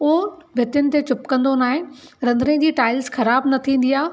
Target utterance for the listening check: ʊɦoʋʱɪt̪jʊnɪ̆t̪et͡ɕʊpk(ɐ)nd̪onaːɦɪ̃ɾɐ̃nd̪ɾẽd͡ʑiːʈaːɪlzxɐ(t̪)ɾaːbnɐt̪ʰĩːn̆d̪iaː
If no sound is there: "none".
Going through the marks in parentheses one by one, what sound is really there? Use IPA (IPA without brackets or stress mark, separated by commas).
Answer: ɐ̃, none